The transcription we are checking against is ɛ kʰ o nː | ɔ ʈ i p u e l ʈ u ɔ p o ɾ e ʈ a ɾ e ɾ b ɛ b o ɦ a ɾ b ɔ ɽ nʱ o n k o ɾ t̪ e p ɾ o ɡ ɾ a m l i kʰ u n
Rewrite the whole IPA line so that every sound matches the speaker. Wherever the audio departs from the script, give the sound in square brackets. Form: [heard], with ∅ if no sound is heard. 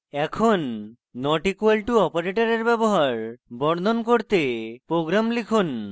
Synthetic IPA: ɛ kʰ o nː | ɔ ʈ i [k] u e l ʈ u ɔ p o ɾ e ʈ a ɾ e ɾ b ɛ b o ɦ a ɾ b ɔ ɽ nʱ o n k o ɾ t̪ e p ɾ o ɡ ɾ a m l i kʰ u n